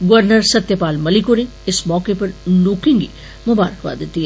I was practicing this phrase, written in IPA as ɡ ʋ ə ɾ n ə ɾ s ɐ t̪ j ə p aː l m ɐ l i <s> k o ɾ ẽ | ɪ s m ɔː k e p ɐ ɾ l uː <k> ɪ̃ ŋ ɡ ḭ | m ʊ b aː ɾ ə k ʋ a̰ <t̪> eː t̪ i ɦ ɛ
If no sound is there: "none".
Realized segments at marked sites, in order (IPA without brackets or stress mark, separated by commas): none, k, d̪